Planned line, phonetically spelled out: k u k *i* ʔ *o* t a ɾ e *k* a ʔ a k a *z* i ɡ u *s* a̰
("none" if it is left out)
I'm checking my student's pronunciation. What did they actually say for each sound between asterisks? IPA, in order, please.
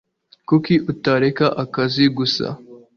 i, u, k, z, s

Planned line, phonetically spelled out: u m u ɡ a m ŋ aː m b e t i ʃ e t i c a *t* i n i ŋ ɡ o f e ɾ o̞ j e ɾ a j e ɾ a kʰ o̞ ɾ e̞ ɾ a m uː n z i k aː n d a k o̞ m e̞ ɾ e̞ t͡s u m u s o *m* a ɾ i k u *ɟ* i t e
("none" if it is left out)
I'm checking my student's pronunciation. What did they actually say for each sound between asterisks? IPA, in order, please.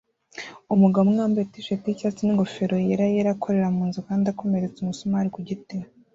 t͡s, m, ɟ

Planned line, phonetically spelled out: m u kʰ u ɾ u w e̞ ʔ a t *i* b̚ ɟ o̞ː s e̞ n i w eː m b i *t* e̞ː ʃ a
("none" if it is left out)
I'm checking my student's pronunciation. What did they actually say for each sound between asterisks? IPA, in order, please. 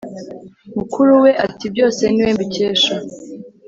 i, c

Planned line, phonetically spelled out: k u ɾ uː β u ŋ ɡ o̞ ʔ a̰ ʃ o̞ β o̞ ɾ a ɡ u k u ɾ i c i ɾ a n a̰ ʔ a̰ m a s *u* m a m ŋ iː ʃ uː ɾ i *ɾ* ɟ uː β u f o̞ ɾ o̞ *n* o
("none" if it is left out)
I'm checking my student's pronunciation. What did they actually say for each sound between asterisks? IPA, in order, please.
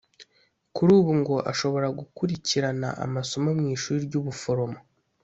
o, ɾ, m

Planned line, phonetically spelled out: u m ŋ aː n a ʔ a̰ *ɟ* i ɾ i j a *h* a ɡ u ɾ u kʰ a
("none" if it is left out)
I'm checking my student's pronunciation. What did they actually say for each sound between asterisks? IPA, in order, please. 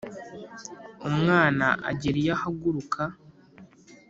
ɟ, h

